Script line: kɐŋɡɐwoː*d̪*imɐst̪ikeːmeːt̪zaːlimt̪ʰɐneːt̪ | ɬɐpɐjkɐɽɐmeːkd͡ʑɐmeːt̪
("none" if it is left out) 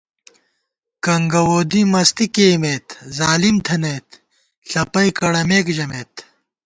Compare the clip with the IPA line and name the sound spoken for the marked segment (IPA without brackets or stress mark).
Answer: d̪